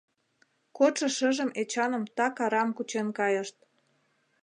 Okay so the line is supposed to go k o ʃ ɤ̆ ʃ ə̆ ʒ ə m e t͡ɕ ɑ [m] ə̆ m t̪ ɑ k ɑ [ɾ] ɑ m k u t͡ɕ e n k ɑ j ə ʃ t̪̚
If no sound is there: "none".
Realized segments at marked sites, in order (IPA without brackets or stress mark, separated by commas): n, ɾ